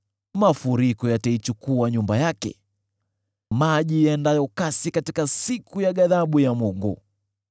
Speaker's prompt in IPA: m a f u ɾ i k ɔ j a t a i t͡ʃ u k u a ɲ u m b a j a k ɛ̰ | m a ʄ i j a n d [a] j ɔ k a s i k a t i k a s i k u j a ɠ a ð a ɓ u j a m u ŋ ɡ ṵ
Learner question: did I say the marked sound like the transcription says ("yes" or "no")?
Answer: yes